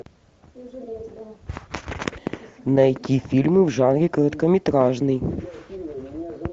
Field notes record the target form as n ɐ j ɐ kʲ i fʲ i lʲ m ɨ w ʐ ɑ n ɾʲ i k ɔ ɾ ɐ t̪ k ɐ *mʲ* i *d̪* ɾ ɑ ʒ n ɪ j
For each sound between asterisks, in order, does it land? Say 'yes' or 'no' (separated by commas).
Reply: yes, no